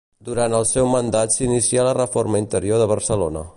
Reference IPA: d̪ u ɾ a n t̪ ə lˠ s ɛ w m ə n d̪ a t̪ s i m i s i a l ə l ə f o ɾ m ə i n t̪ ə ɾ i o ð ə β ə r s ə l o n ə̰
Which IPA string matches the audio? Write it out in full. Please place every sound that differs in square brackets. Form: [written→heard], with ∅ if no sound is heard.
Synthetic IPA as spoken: d̪ u ɾ a n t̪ ə lˠ s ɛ w m ə n d̪ a t̪ s i [m→n] i s i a l ə [l→r] ə f o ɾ m ə i n t̪ ə ɾ i o ð ə β ə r s ə l o n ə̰